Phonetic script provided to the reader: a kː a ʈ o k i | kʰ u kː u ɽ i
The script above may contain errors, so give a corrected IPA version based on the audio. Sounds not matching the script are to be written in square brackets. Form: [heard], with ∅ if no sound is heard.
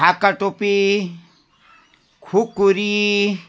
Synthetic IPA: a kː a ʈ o [p] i | kʰ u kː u [ɾ] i